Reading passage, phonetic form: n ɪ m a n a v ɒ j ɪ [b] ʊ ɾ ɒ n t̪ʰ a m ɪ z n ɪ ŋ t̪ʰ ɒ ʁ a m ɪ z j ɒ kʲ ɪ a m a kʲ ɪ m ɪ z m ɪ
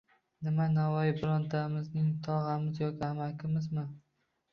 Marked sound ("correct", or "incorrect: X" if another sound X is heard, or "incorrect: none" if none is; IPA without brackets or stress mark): correct